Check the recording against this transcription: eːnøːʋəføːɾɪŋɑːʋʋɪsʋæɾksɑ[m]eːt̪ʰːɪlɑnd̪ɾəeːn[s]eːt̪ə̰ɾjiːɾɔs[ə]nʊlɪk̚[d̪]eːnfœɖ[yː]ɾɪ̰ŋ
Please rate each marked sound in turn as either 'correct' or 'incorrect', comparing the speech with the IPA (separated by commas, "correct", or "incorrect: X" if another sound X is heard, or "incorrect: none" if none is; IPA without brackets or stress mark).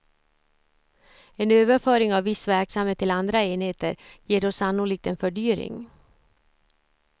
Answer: correct, incorrect: h, incorrect: ɑ, incorrect: t̪, correct